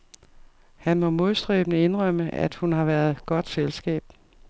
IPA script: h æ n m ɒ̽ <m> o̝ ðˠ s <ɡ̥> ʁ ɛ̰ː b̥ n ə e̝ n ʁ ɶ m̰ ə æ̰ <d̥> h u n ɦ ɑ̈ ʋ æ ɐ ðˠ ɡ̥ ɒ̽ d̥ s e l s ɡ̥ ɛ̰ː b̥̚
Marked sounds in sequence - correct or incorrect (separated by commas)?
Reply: correct, incorrect, correct